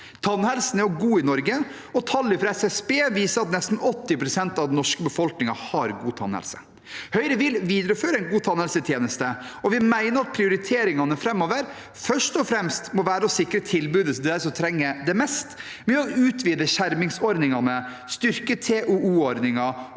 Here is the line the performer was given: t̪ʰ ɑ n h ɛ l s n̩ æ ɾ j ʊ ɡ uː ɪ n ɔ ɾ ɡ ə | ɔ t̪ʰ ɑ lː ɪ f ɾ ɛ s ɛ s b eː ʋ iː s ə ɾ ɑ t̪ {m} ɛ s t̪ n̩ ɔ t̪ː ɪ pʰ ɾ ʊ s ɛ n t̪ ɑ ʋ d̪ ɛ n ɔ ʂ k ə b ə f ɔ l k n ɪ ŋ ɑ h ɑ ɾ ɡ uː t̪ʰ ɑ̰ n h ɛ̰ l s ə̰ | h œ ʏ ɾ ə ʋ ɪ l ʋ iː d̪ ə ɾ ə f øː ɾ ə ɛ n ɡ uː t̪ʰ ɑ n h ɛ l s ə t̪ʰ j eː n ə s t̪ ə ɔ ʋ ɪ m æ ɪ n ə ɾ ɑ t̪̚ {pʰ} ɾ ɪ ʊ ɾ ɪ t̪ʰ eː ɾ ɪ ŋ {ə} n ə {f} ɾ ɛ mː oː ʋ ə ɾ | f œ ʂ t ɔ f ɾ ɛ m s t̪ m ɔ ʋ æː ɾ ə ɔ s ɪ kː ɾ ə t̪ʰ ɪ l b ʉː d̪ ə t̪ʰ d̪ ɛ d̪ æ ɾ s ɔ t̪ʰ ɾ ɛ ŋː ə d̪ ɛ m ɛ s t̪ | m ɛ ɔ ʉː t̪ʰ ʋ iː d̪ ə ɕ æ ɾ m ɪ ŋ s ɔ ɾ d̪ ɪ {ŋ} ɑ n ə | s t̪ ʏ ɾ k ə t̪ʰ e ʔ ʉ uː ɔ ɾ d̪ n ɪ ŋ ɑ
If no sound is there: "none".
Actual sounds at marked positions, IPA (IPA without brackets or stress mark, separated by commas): n, pʰ, ɑ, f, ŋ